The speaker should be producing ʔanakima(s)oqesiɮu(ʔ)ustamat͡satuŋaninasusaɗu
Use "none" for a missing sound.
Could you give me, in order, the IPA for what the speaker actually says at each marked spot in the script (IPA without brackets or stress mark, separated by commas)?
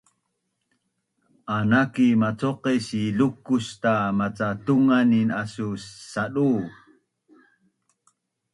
t͡s, k